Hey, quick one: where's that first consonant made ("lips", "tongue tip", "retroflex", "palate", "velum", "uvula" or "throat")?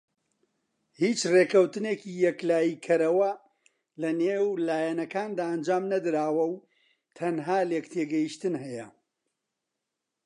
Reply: throat